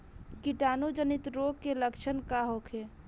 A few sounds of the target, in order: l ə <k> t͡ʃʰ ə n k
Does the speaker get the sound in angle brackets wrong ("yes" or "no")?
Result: no